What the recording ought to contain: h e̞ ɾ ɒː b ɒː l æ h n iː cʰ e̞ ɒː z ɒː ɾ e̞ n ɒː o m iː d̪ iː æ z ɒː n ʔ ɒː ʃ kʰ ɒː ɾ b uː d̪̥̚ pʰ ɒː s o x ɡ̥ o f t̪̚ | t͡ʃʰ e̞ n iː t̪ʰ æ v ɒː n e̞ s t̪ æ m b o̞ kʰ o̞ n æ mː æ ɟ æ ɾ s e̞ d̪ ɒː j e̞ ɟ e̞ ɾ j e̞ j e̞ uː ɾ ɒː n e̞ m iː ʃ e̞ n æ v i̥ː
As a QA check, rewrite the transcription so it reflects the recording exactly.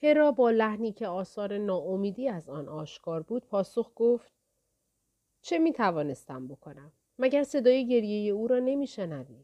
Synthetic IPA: h e̞ ɾ ɒː b ɒː l æ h n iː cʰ e̞ ɒː s ɒː ɾ e̞ n ɒː o m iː d̪ iː æ z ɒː n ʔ ɒː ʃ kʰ ɒː ɾ b uː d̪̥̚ pʰ ɒː s o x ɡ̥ o f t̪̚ | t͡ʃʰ e̞ m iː t̪ʰ æ v ɒː n e̞ s t̪ æ m b o̞ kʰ o̞ n æ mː æ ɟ æ ɾ s e̞ d̪ ɒː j e̞ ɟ e̞ ɾ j e̞ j e̞ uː ɾ ɒː n e̞ m iː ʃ e̞ n æ v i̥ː